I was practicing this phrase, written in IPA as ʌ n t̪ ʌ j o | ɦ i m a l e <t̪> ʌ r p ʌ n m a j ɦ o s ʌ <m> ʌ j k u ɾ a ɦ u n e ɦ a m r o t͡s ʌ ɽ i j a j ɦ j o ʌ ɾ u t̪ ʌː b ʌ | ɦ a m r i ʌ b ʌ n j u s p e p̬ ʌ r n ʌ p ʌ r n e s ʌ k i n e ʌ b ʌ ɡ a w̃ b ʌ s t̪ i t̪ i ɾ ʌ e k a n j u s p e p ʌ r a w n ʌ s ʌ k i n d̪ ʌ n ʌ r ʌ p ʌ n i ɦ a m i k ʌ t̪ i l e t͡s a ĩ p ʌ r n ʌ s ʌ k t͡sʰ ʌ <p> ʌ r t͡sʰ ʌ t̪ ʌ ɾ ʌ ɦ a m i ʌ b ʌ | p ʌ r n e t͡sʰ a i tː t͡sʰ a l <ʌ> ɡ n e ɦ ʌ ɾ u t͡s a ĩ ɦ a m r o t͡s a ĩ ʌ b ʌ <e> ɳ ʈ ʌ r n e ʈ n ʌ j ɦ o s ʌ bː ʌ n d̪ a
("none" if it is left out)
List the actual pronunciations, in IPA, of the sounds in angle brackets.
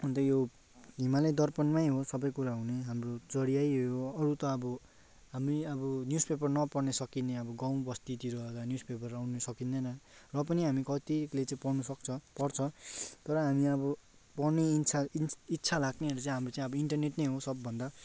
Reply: d̪, b, p, a, i

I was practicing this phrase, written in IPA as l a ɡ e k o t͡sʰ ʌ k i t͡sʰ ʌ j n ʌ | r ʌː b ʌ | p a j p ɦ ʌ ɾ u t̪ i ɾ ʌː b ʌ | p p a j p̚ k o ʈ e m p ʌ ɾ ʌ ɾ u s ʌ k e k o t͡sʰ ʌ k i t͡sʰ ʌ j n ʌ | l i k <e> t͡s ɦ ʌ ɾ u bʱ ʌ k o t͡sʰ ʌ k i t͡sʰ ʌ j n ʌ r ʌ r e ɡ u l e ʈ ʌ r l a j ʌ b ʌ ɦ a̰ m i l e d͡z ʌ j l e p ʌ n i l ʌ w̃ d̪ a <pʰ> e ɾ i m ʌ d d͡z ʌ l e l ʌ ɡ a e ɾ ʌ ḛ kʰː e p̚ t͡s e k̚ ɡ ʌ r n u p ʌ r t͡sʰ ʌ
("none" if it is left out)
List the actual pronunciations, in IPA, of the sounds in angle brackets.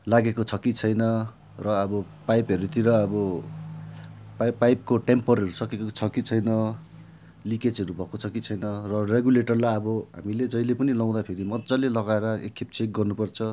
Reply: e, pʰ

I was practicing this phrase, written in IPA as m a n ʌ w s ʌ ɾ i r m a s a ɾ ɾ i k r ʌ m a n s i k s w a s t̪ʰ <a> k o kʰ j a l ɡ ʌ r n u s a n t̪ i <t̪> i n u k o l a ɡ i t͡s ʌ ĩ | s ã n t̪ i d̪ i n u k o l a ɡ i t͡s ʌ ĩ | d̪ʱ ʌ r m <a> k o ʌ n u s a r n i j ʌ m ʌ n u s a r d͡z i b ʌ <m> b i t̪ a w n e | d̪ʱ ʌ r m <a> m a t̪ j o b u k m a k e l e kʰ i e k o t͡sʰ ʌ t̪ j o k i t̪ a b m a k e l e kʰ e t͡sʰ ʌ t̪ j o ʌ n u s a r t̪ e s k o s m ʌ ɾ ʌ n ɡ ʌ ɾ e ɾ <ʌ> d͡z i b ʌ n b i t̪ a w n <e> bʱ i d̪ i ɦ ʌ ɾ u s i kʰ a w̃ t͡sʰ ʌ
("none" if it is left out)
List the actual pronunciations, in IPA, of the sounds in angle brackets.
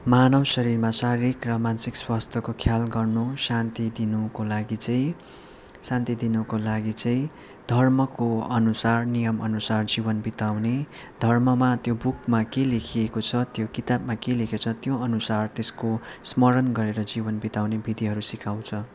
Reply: ʌ, d̪, ʌ, n, ʌ, ʌ, e

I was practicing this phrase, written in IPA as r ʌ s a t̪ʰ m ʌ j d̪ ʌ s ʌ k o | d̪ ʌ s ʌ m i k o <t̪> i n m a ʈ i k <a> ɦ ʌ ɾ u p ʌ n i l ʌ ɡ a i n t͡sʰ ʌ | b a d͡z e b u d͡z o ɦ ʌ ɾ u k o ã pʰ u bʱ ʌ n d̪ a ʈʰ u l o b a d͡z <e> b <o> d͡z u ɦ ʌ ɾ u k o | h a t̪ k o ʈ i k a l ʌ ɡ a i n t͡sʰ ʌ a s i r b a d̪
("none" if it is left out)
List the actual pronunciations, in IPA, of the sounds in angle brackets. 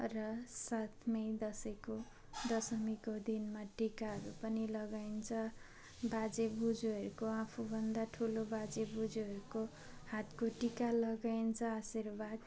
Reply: d̪, a, e, u

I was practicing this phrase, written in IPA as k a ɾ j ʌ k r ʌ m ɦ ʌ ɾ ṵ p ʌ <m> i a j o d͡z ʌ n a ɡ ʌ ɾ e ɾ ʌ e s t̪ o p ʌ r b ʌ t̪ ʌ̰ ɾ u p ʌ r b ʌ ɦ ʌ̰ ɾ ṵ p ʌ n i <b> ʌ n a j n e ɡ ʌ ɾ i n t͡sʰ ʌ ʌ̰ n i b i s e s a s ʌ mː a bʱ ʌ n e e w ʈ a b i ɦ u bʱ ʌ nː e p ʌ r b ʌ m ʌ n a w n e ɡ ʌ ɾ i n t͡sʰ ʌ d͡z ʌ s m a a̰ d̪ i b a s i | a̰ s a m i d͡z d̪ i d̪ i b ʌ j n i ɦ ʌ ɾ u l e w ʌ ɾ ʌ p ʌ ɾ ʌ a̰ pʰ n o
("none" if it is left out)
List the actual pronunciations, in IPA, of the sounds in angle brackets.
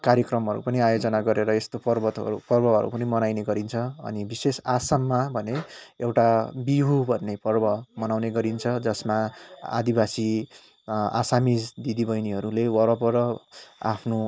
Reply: n, m

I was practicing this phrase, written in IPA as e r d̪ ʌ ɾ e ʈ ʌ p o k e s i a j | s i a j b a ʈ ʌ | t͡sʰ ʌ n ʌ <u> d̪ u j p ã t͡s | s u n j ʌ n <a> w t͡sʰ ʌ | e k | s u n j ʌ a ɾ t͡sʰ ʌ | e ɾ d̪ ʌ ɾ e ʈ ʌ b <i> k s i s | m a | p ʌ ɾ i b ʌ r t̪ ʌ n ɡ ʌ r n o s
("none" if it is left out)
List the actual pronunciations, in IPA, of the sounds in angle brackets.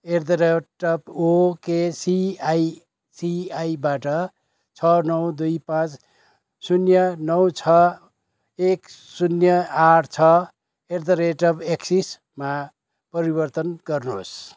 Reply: w, ʌ, e

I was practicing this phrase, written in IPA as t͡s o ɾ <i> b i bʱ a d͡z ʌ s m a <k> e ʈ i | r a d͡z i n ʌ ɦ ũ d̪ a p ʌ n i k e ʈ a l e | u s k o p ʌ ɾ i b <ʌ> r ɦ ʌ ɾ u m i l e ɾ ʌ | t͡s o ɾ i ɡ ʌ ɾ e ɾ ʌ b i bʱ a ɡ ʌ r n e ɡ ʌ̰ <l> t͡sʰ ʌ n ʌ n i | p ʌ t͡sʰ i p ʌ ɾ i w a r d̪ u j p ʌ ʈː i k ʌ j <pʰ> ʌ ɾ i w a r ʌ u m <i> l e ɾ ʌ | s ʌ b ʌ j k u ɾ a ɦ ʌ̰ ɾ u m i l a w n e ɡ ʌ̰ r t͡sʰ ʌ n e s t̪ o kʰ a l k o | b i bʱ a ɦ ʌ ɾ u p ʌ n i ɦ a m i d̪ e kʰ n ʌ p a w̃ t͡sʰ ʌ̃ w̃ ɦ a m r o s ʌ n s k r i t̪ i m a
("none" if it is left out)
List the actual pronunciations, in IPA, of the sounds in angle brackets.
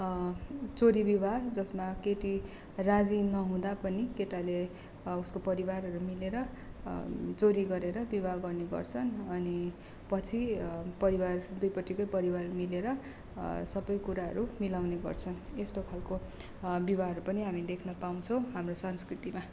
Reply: i, k, a, r, p, i

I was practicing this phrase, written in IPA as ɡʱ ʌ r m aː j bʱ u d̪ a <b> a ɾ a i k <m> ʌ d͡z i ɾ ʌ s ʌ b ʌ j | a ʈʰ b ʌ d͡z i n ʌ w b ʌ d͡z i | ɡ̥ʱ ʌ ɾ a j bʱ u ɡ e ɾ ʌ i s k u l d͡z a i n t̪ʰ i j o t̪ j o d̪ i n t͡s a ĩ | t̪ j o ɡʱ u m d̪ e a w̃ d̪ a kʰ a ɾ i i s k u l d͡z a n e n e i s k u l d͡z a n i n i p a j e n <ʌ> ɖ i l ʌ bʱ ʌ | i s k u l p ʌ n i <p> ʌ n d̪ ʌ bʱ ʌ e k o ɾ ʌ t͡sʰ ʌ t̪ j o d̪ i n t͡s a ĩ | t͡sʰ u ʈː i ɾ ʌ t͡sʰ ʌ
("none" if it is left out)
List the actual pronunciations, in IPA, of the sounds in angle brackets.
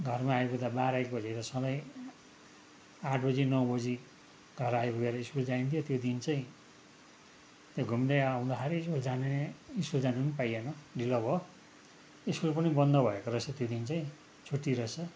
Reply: b, b, ʌ, b

